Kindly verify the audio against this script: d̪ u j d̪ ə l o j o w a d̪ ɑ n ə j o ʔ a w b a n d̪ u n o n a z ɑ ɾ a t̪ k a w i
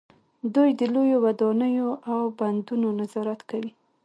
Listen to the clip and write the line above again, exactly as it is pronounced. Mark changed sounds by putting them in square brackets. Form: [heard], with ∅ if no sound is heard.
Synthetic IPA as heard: d̪ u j d̪ ə l o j o w a d̪ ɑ n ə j o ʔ a w b a n d̪ u n o n a z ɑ ɾ a t̪ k a w i